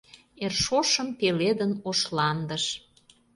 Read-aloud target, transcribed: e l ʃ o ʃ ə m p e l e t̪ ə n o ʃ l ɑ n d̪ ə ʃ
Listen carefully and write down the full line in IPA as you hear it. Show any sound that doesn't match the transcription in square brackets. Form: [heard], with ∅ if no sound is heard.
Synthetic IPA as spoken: e [r] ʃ o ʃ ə m p e l e [d̪] ə n o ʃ l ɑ n d̪ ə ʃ